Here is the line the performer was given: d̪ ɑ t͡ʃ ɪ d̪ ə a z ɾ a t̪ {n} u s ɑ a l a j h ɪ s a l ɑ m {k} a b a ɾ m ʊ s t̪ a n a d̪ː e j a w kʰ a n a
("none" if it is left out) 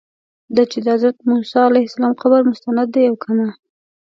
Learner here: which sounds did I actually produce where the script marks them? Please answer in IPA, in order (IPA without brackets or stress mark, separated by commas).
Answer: m, q